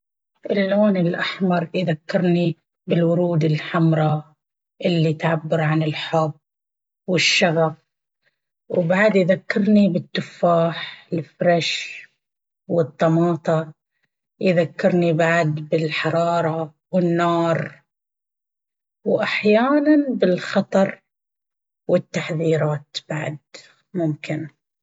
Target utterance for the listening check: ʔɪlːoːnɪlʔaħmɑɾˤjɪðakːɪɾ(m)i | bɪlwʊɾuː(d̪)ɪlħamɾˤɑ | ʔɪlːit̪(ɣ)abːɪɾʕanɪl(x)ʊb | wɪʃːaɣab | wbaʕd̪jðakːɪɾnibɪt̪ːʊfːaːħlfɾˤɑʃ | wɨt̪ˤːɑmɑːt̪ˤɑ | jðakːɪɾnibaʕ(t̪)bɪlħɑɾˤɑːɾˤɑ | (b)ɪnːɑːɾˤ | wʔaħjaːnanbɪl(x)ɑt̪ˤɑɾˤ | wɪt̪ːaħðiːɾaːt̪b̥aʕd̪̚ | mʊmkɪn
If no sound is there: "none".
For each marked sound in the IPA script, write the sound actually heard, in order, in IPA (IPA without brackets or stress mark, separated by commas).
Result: n, d̪, ʕ, ħ, d̪, w, x